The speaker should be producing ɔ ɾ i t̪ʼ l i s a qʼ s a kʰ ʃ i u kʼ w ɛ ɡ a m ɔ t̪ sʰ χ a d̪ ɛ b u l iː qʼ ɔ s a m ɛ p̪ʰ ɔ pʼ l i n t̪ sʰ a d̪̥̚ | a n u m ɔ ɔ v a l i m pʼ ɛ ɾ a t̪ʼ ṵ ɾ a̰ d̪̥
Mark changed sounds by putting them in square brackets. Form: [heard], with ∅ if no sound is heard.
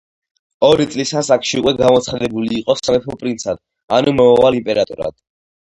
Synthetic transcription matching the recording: ɔ ɾ i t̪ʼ l i s a [∅] s a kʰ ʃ i u kʼ w ɛ ɡ a m ɔ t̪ sʰ χ a d̪ ɛ b u l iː qʼ ɔ s a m ɛ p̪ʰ ɔ pʼ [ɾ] i n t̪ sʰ a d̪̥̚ | a n u m ɔ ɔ v a l i m pʼ ɛ ɾ a t̪ʼ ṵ ɾ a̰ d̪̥